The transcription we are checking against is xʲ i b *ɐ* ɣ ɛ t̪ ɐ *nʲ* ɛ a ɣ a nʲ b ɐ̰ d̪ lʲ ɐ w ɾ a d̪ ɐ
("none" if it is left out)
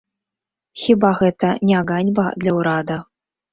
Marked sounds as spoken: a, nʲ

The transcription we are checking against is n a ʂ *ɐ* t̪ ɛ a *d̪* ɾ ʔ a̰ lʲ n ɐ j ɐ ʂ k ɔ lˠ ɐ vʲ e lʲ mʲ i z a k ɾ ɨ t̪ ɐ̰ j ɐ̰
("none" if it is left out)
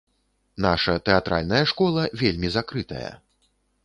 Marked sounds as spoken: ɐ, t̪

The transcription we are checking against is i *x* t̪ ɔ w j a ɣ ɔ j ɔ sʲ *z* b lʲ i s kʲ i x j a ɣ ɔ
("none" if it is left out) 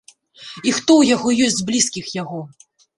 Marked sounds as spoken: x, z

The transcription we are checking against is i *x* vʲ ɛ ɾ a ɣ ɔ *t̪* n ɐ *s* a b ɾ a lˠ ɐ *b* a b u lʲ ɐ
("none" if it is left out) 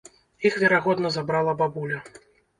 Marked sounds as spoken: x, d̪, z, b

